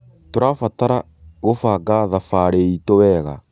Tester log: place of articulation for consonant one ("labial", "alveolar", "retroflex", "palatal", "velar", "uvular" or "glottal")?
alveolar